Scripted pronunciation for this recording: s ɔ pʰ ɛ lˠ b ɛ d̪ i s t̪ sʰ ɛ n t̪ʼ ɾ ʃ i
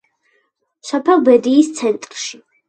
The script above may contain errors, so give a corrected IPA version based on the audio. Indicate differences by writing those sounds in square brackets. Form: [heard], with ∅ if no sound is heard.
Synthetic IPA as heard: s ɔ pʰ ɛ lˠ b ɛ d̪ [iː] s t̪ sʰ ɛ n t̪ʼ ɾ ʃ i